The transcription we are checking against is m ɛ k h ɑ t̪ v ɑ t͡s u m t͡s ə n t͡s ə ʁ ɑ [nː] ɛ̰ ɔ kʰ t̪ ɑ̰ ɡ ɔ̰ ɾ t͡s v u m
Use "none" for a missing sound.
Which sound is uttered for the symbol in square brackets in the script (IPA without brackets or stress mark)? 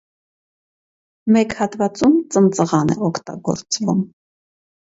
n